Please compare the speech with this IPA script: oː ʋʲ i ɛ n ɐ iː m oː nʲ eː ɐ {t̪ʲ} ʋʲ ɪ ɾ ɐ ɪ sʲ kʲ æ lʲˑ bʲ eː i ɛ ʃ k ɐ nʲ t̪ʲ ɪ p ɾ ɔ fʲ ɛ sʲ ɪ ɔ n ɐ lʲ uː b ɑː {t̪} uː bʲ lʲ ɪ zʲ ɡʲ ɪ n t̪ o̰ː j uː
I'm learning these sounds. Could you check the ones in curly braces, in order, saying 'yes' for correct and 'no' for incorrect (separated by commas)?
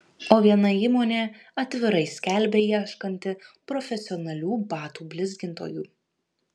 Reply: yes, yes